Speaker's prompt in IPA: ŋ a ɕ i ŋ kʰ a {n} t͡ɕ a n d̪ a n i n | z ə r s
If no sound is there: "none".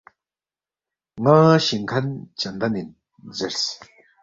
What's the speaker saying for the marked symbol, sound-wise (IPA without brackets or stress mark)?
n